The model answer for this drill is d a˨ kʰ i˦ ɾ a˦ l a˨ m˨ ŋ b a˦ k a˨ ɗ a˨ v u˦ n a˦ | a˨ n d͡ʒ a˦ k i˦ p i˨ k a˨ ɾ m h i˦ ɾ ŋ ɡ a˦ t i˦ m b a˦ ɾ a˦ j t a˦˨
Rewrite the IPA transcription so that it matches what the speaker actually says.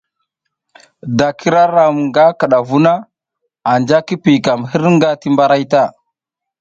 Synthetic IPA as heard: d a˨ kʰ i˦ ɾ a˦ ɾ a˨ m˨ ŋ ɡ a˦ k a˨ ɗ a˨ v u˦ n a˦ | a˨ n d͡ʒ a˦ k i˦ p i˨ k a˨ m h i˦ ɾ ŋ ɡ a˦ t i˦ m b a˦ ɾ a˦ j t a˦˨

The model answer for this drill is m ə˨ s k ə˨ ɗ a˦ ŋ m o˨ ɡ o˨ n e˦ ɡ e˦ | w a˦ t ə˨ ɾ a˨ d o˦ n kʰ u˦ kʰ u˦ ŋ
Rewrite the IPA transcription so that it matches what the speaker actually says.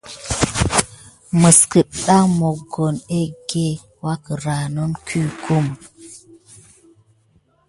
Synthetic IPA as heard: m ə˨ s k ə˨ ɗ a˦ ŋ m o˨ ɡ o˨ n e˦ ɡ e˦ | w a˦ k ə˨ ɾ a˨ n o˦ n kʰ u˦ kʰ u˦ m

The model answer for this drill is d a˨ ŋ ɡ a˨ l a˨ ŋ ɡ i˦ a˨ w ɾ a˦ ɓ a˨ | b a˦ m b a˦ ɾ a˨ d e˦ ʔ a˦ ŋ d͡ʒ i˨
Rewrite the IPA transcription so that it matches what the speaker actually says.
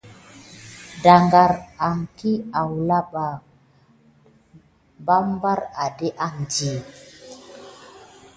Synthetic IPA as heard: d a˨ ŋ ɡ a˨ ɾ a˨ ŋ k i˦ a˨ w l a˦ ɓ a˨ | b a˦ m b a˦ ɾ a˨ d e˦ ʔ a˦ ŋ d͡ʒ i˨

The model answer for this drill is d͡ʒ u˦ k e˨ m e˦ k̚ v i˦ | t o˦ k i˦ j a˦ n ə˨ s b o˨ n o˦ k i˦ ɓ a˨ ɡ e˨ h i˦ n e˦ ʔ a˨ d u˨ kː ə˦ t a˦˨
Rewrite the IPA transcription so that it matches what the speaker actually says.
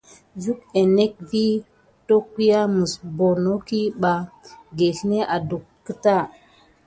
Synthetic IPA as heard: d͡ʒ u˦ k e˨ n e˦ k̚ v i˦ | t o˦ k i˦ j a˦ m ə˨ s b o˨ n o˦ k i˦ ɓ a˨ ɡ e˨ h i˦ n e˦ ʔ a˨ d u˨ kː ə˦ t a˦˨

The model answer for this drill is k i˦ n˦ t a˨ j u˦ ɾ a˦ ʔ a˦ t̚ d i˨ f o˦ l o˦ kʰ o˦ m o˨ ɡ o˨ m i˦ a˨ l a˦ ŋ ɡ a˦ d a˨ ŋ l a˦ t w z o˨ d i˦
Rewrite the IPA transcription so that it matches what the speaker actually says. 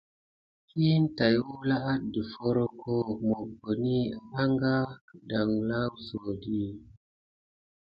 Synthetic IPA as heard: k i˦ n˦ t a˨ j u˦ l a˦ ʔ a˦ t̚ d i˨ f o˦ ɾ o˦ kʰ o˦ m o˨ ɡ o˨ n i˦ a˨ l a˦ ŋ ɡ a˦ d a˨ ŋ l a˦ w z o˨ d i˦

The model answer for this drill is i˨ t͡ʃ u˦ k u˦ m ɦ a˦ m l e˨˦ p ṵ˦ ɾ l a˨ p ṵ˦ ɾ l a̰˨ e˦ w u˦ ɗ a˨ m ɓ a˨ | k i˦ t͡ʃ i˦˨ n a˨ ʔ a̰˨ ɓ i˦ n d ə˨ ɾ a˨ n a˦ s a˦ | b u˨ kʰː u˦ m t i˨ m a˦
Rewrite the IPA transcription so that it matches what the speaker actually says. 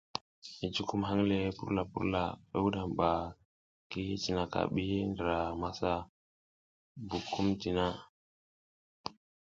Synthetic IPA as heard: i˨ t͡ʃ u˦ k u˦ m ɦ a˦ ŋ l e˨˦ p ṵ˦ ɾ l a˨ p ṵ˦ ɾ l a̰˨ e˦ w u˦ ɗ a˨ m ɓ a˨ | k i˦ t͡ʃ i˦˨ n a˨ k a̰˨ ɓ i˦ n d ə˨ ɾ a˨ m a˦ s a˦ | b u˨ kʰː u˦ m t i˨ n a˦

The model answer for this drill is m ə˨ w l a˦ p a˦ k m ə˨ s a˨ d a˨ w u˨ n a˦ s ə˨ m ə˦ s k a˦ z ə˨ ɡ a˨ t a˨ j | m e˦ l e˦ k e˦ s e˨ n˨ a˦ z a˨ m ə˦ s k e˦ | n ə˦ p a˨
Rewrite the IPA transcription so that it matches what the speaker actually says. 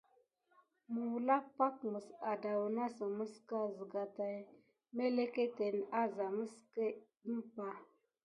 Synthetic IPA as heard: m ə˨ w l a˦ p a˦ k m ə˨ s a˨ d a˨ w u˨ n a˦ s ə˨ m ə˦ s k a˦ z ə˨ ɡ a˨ t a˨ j | m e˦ l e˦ k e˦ t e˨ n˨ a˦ z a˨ m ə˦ s k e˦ | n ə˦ p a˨

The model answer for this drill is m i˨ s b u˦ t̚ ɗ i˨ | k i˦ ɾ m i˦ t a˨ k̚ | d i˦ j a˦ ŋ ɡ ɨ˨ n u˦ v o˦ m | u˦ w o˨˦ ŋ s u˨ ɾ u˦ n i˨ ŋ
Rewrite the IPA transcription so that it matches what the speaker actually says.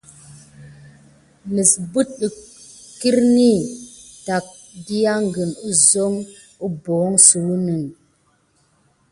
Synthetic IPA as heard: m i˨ s b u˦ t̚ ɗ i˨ | k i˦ ɾ n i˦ t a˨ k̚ | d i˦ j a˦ ŋ ɡ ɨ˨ n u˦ z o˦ ŋ | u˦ b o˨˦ ŋ s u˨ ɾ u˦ n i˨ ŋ

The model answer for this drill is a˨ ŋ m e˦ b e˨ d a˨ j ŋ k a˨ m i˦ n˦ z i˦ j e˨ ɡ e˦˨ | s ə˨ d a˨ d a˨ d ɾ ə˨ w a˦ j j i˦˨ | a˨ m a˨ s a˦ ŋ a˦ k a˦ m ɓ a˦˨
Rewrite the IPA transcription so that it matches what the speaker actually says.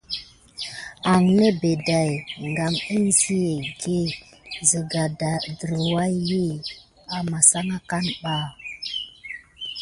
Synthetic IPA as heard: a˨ ŋ n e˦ b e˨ d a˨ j ŋ ɡ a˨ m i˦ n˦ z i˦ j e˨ ɡ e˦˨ | z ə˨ ɡ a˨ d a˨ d ɾ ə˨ w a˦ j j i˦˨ | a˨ m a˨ s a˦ ŋ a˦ k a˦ n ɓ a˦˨

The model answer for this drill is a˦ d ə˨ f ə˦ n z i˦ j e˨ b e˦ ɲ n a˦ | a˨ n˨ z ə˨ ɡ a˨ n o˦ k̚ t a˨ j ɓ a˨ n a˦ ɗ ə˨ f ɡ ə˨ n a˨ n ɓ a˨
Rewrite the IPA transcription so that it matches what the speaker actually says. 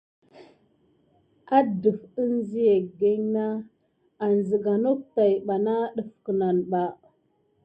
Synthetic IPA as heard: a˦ d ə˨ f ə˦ n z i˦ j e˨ ɡ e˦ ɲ n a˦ | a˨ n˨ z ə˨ ɡ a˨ n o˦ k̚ t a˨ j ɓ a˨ n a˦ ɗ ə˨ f k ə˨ n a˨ n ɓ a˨

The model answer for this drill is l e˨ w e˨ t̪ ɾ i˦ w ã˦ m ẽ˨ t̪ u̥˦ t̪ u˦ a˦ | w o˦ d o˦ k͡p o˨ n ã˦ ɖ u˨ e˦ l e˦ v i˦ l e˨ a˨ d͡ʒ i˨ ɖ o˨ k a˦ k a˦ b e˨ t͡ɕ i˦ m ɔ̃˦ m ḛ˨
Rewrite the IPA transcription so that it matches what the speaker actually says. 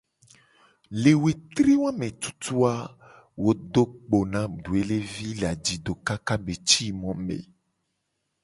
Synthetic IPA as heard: l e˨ w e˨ t̪ ɾ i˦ w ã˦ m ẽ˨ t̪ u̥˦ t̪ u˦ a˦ | w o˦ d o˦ k͡p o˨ n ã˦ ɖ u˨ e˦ l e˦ v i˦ l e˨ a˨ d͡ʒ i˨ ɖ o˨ k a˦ k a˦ b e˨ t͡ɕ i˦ m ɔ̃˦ m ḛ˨

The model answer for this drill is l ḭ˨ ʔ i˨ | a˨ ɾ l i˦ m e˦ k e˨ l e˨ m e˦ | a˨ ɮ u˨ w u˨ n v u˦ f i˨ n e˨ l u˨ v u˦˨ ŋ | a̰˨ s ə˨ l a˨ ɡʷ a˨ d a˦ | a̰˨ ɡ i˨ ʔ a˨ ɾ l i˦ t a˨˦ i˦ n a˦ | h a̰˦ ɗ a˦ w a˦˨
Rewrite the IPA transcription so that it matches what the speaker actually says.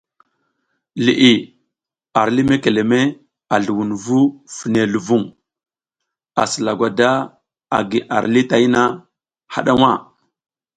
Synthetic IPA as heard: l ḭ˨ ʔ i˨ | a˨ ɾ l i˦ m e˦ k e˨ l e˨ m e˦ | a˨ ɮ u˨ w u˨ n v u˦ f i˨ n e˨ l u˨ v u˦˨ ŋ | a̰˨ s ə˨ l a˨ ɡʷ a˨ d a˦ | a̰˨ ɡ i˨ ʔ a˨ ɾ l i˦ t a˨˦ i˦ n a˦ | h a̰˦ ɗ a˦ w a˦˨

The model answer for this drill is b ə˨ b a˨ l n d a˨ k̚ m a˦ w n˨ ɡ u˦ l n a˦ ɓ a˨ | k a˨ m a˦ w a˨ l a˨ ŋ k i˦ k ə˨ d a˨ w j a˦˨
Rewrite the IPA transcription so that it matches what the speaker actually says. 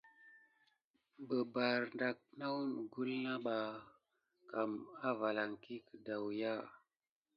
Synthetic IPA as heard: b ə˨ b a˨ ɾ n d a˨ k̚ n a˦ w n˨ ɡ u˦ l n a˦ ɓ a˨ | k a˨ m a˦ v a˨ l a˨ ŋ k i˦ k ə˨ d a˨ w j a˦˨

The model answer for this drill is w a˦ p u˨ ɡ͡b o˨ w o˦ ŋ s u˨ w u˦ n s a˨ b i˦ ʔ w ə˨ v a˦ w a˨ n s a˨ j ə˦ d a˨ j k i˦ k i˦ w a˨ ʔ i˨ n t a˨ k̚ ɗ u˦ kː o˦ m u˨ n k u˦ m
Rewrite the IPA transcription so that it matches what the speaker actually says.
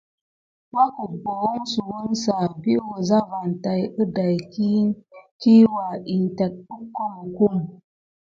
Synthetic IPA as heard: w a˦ k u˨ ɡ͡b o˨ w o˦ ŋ s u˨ w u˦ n s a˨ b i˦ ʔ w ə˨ z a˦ v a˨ n t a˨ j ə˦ d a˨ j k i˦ k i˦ w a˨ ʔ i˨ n t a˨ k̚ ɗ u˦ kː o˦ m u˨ k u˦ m

